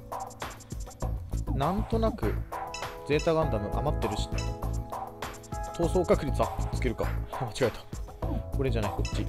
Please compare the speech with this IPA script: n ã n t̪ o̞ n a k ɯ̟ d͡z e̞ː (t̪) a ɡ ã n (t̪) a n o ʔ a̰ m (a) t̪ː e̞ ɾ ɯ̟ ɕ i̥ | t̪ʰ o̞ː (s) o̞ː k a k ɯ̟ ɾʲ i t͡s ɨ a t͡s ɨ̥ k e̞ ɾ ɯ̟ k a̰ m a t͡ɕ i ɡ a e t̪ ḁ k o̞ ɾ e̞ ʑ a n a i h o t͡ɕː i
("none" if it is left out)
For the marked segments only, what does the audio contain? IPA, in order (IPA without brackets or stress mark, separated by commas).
t̪, d̪, a, s